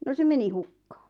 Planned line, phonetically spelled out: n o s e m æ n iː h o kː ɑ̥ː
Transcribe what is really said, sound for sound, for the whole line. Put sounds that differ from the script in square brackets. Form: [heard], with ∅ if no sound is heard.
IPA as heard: n o s e m [e] n [i] h [u] kː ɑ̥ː